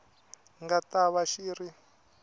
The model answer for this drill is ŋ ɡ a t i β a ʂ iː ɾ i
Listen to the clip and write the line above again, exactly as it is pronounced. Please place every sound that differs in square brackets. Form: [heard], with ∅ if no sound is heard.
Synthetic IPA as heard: ŋ ɡ a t [a] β a [ʃ] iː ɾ i